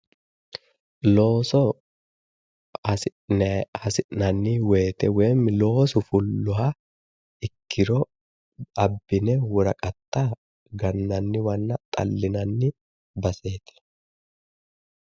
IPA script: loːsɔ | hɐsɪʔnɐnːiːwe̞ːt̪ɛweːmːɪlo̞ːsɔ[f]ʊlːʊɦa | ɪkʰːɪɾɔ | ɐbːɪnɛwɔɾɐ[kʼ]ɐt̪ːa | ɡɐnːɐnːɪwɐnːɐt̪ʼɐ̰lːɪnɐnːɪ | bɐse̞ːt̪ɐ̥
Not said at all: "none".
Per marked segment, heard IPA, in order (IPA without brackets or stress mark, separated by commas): f, kʼ